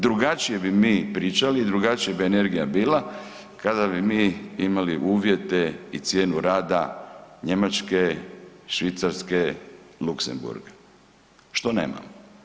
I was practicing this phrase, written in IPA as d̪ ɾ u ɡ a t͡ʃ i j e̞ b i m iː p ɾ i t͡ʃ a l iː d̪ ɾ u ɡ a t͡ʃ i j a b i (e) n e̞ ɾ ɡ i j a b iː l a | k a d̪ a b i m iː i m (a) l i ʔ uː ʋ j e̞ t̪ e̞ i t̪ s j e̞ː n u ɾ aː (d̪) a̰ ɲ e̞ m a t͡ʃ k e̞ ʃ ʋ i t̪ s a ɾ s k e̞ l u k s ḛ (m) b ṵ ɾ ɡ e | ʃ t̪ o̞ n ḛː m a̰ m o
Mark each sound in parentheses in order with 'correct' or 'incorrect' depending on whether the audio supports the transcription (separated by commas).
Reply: correct, correct, correct, correct